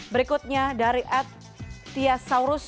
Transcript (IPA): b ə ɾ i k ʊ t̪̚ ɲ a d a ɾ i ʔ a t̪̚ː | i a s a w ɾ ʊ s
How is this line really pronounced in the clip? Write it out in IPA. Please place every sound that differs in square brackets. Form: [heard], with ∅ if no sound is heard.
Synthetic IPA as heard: b ə ɾ i k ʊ t̪̚ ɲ a d a ɾ i ʔ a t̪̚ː | i a s a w ɾ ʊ s